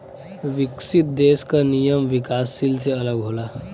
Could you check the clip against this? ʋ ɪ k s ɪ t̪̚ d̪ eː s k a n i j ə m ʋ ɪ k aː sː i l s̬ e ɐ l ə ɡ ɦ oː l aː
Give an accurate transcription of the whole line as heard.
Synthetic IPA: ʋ ɪ k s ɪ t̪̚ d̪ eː s k a n i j ə m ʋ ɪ k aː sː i l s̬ e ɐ l ə ɡ ɦ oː l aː